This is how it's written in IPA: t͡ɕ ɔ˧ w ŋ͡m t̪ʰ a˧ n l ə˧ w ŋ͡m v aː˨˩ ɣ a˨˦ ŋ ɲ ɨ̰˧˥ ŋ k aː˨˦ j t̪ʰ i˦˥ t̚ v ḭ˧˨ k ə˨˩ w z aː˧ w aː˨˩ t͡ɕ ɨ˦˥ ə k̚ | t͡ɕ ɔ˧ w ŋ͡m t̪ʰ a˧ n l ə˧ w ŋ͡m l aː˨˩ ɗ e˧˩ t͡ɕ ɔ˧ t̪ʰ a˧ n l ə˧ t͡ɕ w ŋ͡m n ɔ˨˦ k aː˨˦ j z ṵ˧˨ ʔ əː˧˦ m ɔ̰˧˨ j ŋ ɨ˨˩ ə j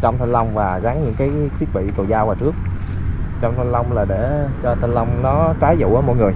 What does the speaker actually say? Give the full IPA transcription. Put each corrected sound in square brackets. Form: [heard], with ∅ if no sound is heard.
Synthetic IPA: t͡ɕ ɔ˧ w ŋ͡m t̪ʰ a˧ n l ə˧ w ŋ͡m v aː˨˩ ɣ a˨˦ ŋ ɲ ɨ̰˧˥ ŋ k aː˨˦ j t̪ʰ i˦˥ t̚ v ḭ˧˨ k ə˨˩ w z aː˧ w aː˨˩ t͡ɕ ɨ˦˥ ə k̚ | t͡ɕ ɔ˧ w ŋ͡m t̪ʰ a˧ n l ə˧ w ŋ͡m l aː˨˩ ɗ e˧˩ t͡ɕ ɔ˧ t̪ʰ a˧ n l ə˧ [∅] w ŋ͡m n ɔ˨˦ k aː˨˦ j z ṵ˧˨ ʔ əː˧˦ m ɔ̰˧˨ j ŋ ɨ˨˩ ə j